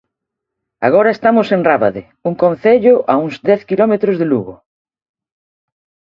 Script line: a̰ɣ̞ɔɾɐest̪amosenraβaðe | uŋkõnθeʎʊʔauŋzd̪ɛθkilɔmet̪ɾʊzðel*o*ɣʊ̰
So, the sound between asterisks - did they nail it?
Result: no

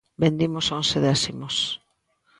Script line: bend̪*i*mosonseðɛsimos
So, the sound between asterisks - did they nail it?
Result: yes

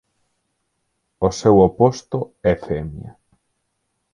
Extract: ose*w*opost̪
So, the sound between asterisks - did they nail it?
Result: yes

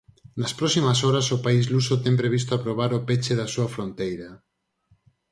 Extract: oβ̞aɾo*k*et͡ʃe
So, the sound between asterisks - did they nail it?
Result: no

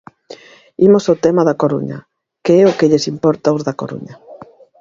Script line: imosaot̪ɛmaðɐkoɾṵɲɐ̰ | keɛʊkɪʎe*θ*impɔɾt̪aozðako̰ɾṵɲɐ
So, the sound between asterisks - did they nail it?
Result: no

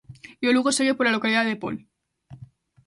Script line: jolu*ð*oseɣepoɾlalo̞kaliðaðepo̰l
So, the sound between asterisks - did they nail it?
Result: no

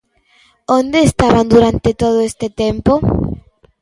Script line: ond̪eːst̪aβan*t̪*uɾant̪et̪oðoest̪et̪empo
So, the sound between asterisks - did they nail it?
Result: no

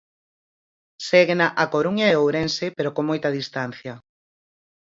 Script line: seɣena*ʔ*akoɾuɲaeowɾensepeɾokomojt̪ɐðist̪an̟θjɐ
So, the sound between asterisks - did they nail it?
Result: yes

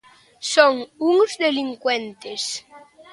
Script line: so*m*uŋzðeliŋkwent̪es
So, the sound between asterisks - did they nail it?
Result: no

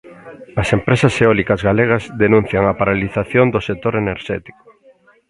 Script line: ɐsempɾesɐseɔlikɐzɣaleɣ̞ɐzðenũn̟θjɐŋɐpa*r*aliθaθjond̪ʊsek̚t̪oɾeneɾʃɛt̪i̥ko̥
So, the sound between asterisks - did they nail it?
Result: no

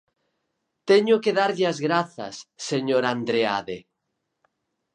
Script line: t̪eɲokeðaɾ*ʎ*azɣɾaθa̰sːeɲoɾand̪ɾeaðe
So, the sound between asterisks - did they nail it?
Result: yes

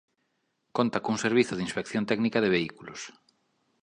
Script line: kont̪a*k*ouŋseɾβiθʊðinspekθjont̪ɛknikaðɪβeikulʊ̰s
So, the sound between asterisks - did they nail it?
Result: yes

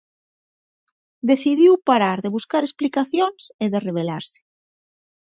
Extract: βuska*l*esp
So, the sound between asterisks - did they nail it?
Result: no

